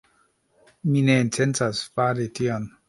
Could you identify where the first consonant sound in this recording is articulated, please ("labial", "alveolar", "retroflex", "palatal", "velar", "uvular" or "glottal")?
labial